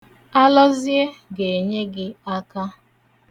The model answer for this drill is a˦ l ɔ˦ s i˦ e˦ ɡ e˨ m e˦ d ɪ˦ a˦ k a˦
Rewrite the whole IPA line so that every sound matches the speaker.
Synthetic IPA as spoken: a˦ l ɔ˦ z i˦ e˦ ɡ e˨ ɲ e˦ ɡ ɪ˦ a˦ k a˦